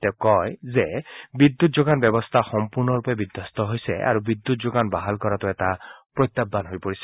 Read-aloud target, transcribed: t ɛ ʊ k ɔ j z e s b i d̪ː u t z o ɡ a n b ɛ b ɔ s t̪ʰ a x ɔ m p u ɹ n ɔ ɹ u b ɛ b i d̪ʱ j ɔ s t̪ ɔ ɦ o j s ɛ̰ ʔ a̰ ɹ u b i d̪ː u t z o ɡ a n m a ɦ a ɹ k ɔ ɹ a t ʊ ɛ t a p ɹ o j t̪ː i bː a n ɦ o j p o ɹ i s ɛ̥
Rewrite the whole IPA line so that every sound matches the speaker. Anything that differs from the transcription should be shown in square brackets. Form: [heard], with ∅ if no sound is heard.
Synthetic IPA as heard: t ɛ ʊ k ɔ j z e [∅] b i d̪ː u t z o ɡ a n b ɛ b ɔ s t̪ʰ a x ɔ m p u ɹ n ɔ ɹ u [p] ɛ b i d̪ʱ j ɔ s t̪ ɔ ɦ o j s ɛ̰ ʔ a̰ ɹ u b i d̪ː u t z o ɡ a n [b] a ɦ a [l] k ɔ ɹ a t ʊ ɛ t a p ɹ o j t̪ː [a] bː a n ɦ o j p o ɹ i s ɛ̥